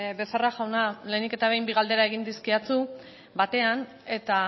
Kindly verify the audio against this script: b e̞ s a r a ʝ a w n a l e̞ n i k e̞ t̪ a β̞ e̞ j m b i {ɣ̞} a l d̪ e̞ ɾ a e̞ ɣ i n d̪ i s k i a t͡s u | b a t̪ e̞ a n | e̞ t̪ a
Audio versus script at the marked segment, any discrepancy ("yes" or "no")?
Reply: no